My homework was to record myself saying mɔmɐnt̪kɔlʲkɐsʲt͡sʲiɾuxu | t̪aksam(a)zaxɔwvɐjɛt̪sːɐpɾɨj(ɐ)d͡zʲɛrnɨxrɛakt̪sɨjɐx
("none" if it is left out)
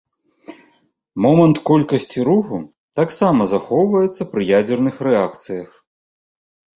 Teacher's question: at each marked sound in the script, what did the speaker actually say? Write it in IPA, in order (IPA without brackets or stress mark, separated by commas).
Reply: ɐ, a